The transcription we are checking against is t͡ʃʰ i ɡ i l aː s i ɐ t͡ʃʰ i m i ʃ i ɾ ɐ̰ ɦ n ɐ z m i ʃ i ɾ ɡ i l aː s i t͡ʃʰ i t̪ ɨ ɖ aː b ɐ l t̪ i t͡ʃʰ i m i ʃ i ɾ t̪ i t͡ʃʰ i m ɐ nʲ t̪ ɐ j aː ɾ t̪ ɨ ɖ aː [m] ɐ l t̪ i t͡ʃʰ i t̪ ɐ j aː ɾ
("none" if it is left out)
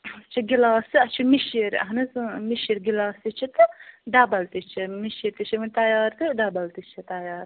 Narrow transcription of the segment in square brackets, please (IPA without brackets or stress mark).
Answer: b